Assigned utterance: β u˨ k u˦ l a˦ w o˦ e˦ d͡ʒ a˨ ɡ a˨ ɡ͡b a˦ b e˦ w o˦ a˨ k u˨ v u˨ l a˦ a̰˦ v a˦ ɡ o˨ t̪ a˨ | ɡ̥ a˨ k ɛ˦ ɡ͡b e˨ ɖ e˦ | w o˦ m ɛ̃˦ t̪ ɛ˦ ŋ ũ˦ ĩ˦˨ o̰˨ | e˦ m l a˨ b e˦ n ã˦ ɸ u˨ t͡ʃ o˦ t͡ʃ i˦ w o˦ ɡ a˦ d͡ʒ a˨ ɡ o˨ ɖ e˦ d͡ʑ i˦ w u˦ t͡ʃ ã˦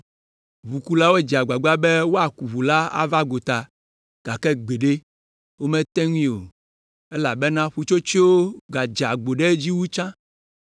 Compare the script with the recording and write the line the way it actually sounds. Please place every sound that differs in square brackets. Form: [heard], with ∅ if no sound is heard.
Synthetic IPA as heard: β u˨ k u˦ l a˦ w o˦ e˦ d͡ʒ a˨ [ɡ͡b] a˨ ɡ͡b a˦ b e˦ w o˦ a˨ k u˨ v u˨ l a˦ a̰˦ v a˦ ɡ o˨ t̪ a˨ | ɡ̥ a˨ k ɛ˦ ɡ͡b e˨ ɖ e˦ | w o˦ m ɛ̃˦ t̪ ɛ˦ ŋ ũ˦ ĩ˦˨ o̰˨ | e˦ [∅] l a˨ b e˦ n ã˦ ɸ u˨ t͡ʃ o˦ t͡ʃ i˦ w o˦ ɡ [a˨] d͡ʒ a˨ [ɡ͡b] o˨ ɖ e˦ d͡ʑ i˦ w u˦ t͡ʃ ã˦